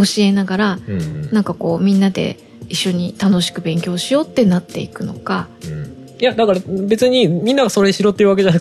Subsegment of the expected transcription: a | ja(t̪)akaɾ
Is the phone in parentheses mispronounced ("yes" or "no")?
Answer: yes